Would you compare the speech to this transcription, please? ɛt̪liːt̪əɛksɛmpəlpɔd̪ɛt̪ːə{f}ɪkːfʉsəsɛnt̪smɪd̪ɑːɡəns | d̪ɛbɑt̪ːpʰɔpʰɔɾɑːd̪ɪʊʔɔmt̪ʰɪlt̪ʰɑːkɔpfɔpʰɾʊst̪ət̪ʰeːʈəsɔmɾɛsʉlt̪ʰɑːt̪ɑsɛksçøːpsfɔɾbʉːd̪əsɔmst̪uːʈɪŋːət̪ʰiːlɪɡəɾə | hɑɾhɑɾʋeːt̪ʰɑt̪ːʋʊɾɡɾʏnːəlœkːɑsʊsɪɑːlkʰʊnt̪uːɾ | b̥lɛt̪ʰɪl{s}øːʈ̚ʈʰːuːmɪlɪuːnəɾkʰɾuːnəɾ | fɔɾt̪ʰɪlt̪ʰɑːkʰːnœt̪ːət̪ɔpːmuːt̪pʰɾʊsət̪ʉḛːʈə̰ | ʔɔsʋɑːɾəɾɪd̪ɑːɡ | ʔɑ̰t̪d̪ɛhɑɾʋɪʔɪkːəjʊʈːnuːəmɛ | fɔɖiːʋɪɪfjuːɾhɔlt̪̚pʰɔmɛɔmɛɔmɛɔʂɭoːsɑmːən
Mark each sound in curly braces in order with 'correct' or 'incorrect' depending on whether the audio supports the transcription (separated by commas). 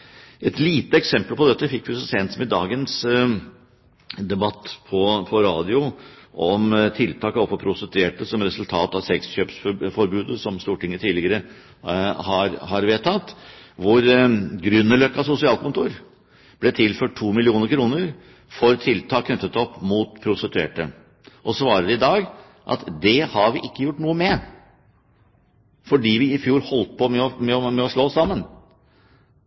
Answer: correct, incorrect